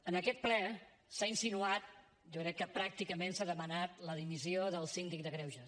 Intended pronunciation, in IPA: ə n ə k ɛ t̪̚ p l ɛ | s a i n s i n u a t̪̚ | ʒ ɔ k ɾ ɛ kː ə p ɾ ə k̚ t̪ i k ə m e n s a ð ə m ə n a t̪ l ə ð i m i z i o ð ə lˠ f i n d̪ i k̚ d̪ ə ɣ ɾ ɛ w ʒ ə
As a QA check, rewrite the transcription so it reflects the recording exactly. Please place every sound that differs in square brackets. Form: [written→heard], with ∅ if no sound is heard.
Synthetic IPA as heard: ə n ə k ɛ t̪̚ p l ɛ | s a i n s i n u a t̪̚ | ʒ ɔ k ɾ ɛ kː ə p ɾ [ə→a] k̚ t̪ i k ə m e n s a ð ə m ə n a t̪ l ə ð i m i z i o ð ə lˠ [f→s] i n d̪ i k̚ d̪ ə ɣ ɾ ɛ w ʒ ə

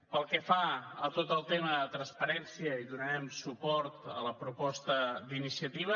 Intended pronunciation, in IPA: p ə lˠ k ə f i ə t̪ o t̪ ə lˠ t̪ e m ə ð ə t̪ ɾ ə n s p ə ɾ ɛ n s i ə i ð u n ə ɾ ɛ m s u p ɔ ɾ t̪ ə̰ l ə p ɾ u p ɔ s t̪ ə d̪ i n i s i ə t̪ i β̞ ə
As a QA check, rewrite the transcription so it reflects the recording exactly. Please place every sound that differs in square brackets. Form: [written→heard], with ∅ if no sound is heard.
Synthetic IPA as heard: p ə lˠ k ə f [i→a] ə t̪ o t̪ ə lˠ t̪ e m ə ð ə t̪ ɾ ə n s p ə ɾ ɛ n s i ə i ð u n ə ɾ ɛ m s u p ɔ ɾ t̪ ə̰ l ə p ɾ u p ɔ s t̪ ə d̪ i n i s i ə t̪ i β̞ ə

